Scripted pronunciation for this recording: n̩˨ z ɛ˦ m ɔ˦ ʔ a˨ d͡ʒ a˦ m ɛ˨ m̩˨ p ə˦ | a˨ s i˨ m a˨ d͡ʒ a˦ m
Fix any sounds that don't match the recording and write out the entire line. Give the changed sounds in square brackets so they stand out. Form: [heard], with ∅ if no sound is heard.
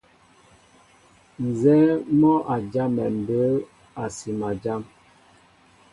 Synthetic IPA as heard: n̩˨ z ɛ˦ m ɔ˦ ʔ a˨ d͡ʒ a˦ m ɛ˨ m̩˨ [b] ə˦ | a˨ s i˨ m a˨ d͡ʒ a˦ m